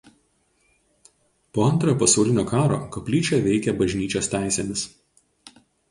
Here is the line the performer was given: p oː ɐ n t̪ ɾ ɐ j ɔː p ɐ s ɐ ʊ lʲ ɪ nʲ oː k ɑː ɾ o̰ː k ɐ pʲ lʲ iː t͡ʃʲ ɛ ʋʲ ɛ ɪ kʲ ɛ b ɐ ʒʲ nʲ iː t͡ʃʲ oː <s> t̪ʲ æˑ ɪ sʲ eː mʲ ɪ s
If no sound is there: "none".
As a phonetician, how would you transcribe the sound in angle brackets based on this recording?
s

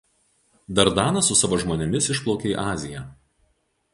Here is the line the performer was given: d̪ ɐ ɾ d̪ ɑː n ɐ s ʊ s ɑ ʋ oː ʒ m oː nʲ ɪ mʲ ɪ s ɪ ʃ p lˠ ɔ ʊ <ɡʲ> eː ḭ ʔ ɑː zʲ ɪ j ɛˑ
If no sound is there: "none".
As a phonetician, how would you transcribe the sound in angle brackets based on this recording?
kʲ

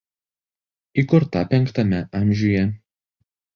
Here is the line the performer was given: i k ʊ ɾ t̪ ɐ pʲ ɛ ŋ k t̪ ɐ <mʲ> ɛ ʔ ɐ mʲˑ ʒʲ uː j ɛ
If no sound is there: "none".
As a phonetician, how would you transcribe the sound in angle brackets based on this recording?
mʲ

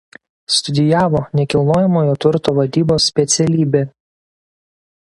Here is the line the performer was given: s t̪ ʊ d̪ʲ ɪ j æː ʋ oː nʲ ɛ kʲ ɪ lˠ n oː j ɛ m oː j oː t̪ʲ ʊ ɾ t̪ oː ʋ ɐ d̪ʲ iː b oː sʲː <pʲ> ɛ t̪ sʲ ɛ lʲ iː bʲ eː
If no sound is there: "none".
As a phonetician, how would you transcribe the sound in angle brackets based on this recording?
pʲ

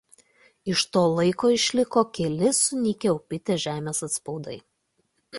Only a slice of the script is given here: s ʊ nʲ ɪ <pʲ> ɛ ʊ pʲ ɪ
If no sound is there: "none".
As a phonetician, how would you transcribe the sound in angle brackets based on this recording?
kʲ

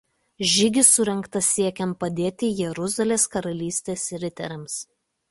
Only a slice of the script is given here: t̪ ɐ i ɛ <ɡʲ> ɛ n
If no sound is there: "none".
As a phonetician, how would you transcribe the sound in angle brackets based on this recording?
kʲ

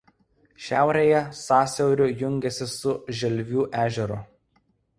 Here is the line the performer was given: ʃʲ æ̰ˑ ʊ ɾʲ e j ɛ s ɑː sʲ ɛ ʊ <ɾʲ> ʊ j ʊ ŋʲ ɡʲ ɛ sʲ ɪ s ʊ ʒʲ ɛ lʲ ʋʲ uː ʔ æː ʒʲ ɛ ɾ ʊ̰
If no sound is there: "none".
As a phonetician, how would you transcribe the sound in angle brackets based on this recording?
ɾʲ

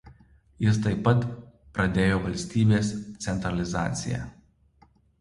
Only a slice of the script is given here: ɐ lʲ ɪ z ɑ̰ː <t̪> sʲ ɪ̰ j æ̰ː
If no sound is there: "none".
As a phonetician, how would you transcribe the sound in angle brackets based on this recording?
t̪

